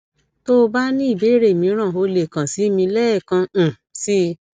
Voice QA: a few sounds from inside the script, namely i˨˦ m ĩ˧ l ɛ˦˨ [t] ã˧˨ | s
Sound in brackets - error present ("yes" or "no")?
yes